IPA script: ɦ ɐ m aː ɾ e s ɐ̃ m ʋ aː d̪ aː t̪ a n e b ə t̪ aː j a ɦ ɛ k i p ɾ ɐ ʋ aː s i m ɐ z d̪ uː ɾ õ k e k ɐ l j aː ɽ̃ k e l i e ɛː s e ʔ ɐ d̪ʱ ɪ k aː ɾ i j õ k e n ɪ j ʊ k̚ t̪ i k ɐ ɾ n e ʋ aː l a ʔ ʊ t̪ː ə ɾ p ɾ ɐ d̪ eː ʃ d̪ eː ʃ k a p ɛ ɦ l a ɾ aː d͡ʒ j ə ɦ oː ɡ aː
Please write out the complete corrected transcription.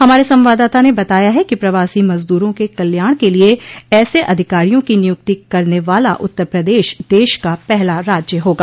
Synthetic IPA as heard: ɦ ɐ m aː ɾ e s ɐ̃ m ʋ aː d̪ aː t̪ a n e b ɐ t̪ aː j a ɦ ɛ k i p ɾ ɐ ʋ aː s i m ɐ z d̪ uː ɾ õ k e k ɐ l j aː ɽ̃ k e l i e ɛː s e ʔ ɐ d̪ʱ ɪ k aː ɾ i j õ k i n ɪ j ʊ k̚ t̪ i k ɐ ɾ n e ʋ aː l a ʔ ʊ t̪ː ə ɾ p ɾ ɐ d̪ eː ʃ d̪ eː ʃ k a p ɛ ɦ l a ɾ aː d͡ʒ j ə ɦ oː ɡ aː